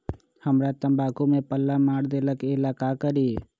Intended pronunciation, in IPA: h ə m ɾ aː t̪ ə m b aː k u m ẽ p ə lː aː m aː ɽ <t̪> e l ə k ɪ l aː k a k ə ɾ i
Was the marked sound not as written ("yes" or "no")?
yes